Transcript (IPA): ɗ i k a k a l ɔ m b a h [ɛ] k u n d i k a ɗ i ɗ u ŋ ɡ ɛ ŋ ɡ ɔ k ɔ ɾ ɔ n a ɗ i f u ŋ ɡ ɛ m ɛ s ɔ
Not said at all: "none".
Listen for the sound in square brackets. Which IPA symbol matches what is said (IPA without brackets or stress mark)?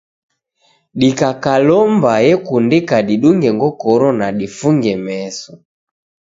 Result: ɛ